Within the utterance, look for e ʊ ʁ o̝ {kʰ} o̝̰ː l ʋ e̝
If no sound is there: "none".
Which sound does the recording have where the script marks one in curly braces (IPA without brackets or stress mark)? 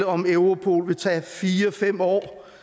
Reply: pʰ